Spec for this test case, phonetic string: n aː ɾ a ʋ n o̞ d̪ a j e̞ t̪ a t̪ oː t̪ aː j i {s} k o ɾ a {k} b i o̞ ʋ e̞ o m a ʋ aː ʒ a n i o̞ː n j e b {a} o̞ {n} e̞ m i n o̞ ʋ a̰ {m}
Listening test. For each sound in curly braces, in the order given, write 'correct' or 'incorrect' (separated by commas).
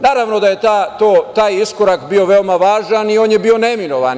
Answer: correct, correct, incorrect, correct, incorrect